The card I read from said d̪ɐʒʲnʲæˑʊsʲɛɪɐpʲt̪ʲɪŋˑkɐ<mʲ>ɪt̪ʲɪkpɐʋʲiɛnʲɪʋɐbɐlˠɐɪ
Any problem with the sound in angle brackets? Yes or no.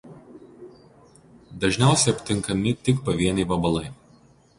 no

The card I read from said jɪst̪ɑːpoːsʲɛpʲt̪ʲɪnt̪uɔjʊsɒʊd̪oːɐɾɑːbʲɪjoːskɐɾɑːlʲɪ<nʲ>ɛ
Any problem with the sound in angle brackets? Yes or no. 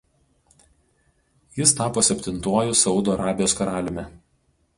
yes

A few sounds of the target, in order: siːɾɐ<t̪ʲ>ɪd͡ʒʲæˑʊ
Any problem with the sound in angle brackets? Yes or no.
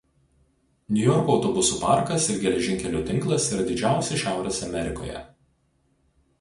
yes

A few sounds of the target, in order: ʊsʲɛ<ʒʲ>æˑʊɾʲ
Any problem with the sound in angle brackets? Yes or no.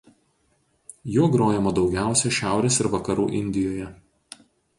yes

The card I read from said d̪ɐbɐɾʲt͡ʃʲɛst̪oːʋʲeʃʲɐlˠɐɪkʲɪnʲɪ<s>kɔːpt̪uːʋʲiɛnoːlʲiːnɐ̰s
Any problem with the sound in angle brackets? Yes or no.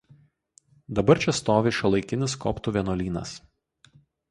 no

